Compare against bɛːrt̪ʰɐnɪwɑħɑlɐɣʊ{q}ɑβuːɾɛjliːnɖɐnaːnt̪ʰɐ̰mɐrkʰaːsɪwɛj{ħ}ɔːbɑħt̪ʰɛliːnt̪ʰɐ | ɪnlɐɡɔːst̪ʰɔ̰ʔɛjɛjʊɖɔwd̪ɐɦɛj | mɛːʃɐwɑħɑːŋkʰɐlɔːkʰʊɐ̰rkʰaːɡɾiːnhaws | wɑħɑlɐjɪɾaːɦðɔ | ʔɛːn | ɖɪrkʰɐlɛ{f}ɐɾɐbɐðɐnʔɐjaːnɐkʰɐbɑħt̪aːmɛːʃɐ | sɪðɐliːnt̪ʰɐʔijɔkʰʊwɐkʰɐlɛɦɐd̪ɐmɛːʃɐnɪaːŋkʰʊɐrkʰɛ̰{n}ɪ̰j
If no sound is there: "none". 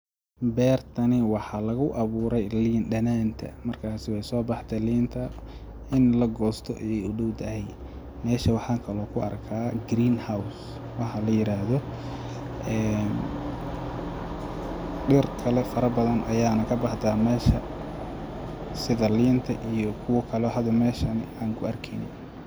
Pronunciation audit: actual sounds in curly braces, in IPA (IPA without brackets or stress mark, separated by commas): ʔ, s, f, n